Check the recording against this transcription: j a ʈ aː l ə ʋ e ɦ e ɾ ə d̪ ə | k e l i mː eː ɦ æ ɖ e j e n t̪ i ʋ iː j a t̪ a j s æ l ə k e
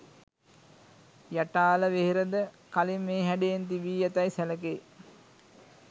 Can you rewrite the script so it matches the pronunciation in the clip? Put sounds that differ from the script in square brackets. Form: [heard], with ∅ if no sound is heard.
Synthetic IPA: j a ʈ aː l ə ʋ e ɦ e ɾ ə d̪ ə | k [a] l i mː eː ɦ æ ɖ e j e n t̪ i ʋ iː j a t̪ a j s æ l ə k e